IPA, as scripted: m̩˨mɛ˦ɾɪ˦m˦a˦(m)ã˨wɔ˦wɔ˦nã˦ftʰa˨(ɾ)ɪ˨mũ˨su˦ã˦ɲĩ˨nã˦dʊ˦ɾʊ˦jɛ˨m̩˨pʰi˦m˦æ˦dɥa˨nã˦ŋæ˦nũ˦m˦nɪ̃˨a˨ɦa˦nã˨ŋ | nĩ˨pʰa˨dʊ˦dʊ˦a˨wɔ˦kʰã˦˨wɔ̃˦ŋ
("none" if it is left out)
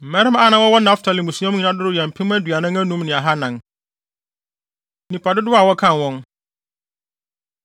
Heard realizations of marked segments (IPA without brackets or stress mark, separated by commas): n, l